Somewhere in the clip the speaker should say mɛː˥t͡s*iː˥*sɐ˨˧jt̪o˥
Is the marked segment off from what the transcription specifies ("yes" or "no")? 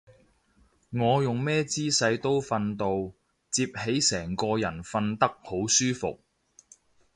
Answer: no